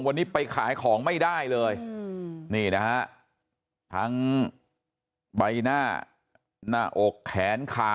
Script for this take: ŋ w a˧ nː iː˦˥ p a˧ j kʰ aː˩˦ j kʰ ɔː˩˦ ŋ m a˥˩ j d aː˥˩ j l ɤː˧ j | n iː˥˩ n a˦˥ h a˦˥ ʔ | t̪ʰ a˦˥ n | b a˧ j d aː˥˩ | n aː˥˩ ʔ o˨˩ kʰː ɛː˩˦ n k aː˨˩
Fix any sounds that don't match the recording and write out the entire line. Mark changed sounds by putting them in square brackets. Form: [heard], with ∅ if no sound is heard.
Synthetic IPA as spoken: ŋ w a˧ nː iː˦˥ p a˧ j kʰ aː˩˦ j kʰ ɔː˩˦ ŋ m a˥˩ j d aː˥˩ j l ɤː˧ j | n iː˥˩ n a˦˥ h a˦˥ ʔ | t̪ʰ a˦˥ [ŋ] | b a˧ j [n] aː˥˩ | n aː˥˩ ʔ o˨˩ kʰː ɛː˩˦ n [kʰ] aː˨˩